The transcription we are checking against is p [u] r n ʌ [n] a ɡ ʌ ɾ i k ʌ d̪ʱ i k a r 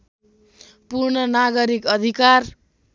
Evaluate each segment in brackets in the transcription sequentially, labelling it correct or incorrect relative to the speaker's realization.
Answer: correct, correct

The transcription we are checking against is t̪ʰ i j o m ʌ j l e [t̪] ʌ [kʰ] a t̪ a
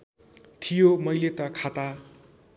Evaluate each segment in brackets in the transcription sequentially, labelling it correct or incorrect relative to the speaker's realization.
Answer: correct, correct

